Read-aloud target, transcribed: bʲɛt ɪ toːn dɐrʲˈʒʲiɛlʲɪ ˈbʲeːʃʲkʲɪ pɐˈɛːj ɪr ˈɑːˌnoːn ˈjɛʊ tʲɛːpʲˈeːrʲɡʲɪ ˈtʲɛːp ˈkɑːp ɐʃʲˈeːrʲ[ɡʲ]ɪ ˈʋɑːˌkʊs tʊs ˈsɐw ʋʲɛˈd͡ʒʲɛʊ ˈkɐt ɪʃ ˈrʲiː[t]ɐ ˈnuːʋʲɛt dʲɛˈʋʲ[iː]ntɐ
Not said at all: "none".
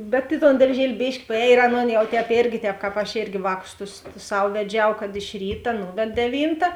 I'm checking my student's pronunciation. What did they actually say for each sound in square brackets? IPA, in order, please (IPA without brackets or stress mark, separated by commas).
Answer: ɡʲ, t, iː